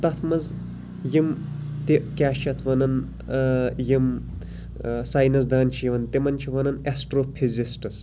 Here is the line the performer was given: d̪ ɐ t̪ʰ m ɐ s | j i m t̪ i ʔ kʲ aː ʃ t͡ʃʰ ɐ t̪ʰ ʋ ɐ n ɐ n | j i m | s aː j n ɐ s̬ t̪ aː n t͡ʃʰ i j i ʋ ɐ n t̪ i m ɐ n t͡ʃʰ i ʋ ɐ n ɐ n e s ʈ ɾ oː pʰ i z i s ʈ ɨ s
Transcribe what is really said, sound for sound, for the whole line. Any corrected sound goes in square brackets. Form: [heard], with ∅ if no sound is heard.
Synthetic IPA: [t̪] ɐ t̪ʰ m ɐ [z] | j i m t̪ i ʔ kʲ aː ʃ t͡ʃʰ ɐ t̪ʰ ʋ ɐ n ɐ n | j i m | s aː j n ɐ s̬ [d̪] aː n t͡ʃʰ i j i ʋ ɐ n t̪ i m ɐ n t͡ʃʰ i ʋ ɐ n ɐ n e s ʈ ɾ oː pʰ i z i s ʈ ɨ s

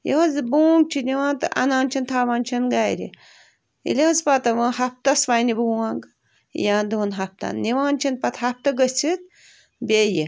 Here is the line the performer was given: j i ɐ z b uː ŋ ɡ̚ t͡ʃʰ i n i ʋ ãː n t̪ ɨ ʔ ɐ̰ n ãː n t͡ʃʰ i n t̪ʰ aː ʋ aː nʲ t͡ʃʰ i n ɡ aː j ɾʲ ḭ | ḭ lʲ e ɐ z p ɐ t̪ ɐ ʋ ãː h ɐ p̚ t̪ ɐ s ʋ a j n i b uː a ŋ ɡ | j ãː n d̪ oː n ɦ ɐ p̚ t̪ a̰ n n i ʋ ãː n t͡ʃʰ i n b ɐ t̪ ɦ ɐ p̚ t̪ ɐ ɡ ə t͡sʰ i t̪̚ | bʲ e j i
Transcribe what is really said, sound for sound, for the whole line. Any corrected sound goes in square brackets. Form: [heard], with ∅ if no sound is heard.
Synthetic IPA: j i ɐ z b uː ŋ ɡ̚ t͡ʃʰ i n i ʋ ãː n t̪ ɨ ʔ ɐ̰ n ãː n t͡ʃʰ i n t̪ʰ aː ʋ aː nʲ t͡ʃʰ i n ɡ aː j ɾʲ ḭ | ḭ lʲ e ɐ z p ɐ t̪ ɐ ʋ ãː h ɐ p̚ t̪ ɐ s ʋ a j n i b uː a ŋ ɡ | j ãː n d̪ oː n ɦ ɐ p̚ t̪ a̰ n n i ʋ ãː n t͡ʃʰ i n [p] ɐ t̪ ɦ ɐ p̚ t̪ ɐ ɡ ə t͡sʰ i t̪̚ | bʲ e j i

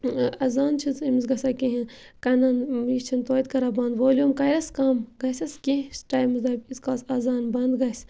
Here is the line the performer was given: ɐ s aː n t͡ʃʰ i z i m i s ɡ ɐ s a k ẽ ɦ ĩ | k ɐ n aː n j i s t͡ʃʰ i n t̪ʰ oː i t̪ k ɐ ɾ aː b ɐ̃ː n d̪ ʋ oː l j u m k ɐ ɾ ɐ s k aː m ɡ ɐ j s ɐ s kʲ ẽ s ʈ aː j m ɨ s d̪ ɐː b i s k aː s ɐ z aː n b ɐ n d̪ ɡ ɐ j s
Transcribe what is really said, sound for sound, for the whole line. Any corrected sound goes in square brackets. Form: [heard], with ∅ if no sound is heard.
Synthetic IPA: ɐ [z] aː n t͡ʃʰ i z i m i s ɡ ɐ s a k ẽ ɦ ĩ | k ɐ n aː n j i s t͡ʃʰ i n [t̪] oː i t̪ k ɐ ɾ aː b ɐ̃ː n d̪ ʋ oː l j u m k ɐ ɾ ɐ s k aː m ɡ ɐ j s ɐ s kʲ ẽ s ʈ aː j m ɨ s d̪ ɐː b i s k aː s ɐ z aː n b ɐ n d̪ ɡ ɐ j s

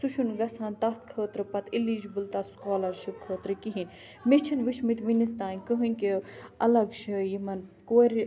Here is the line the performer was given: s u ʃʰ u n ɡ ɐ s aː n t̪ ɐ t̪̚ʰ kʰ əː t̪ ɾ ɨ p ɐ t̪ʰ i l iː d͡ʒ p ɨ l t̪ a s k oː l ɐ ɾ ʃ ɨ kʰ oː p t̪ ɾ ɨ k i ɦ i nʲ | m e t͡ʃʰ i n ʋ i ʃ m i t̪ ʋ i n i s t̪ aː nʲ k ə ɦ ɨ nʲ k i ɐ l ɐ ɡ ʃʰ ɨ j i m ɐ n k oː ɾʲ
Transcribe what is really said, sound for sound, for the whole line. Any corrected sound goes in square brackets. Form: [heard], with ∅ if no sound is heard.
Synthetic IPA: s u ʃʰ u n ɡ ɐ s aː n t̪ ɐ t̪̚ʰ kʰ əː t̪ ɾ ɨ p ɐ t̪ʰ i l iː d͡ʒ [b] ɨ l t̪ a s k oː l ɐ ɾ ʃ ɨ kʰ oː [∅] t̪ ɾ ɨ k i ɦ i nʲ | m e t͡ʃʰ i n ʋ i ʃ m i t̪ ʋ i n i s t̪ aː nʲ k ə ɦ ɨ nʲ k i ɐ l ɐ ɡ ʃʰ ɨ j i m ɐ n k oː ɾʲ

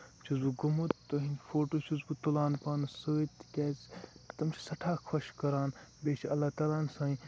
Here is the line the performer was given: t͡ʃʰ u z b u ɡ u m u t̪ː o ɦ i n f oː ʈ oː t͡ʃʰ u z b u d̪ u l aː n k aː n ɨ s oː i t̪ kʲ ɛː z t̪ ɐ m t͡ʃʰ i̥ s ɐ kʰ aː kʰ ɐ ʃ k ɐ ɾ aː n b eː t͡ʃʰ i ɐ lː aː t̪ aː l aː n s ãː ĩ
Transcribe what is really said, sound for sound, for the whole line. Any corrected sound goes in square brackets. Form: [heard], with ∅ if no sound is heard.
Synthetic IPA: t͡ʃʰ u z b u ɡ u m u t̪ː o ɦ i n f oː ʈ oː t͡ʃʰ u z b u [t̪] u l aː n [p] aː n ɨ s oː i t̪ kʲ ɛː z t̪ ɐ m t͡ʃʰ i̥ s ɐ [ʈʰ] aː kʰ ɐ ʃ k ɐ ɾ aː n b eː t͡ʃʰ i ɐ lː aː t̪ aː l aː n s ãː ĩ

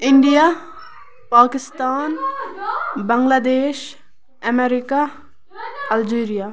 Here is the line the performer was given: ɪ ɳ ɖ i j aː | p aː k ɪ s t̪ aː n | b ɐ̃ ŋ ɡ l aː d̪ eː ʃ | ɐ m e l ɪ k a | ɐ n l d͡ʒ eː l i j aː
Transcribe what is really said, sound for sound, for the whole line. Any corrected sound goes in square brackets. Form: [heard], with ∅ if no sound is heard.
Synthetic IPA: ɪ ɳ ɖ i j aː | p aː k ɪ s t̪ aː n | b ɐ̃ ŋ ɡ l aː d̪ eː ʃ | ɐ m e [ɾ] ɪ k a | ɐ [∅] l d͡ʒ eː [ɾ] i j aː

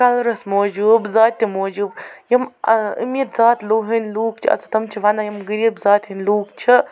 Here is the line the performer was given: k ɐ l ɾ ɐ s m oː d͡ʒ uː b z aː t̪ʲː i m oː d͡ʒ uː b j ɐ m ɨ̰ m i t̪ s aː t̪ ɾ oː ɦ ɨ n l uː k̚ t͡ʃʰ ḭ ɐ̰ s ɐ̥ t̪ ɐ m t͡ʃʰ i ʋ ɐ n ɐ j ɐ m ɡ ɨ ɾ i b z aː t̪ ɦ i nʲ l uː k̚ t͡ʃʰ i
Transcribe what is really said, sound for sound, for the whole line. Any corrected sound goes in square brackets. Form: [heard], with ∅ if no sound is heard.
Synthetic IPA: k ɐ l ɾ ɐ s m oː d͡ʒ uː b z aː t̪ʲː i m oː d͡ʒ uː b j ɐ m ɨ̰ m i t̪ [z] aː t̪ [l] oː ɦ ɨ n l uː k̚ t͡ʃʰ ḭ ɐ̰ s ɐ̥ t̪ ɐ m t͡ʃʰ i ʋ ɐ n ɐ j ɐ m ɡ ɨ ɾ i b z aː t̪ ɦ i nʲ l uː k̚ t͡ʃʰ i

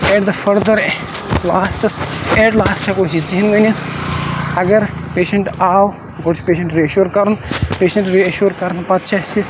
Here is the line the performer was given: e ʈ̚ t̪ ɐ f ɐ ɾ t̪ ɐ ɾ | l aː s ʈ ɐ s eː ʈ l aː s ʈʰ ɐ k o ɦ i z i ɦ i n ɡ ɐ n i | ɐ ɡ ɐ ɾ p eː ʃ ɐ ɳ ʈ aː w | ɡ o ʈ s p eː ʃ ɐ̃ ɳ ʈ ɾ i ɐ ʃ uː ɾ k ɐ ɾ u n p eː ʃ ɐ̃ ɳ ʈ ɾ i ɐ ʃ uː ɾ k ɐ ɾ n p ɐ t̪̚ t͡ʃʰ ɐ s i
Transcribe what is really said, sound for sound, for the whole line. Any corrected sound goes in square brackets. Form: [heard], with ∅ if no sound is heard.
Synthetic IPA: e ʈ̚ [d̪] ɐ f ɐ ɾ [d̪] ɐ ɾ | l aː s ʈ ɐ s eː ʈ l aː s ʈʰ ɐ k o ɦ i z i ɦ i n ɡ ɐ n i | ɐ ɡ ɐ ɾ p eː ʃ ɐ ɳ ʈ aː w | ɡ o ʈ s p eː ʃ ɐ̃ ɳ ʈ ɾ i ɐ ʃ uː ɾ k ɐ ɾ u n p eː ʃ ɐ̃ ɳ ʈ ɾ i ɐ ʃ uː ɾ k ɐ ɾ n p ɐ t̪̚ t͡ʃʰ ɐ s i

